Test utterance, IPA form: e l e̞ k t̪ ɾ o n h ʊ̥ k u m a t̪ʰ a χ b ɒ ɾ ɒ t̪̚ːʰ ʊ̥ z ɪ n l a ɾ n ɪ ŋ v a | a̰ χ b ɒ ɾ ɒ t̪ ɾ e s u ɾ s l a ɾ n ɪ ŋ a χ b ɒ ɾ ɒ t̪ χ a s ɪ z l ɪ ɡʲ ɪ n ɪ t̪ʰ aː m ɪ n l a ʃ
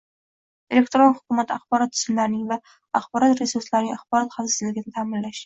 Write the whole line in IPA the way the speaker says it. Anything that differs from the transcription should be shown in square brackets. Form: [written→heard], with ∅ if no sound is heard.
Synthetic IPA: e l e̞ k t̪ ɾ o n h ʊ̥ k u m a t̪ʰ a χ b ɒ ɾ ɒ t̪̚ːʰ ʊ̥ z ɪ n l a ɾ n ɪ ŋ v a | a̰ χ b ɒ ɾ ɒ t̪ ɾ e s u ɾ s l a ɾ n ɪ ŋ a χ b ɒ ɾ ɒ t̪ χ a s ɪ z l ɪ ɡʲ ɪ n ɪ t̪ʰ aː m ɪ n l a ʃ